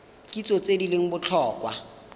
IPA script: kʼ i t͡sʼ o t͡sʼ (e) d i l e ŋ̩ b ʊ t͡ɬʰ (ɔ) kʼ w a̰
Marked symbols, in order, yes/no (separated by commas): yes, no